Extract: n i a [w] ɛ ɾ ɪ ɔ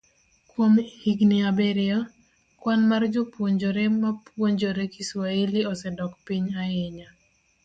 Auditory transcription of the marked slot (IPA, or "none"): b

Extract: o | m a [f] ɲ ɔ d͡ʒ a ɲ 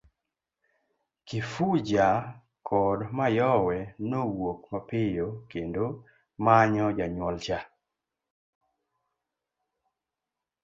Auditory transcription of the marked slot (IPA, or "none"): none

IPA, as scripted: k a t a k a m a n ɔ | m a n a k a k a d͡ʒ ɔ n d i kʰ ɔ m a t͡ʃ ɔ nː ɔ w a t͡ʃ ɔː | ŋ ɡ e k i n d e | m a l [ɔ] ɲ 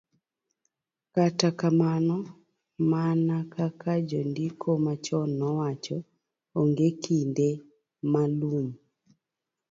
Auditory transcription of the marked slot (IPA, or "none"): u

